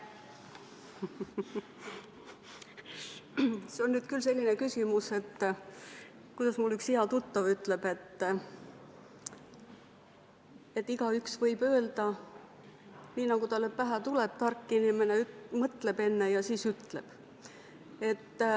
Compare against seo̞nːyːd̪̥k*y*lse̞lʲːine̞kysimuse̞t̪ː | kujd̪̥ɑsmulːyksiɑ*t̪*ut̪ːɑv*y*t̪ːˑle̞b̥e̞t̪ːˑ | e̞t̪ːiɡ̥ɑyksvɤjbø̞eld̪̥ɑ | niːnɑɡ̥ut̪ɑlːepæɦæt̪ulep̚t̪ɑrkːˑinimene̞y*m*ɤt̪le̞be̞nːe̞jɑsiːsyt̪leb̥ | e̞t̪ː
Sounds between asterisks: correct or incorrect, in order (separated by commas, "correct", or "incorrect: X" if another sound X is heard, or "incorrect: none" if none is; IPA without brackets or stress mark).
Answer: correct, correct, correct, correct